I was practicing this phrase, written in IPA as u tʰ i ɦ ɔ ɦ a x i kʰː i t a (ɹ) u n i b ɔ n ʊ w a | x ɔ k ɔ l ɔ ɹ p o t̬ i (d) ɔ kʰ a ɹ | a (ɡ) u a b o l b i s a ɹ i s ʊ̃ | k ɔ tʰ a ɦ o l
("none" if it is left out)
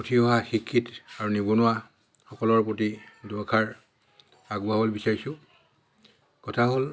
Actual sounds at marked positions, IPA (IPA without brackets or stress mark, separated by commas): ɹ, d, ɡ